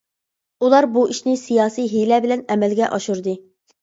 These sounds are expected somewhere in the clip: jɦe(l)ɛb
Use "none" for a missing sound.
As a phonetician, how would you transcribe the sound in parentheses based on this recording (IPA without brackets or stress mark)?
l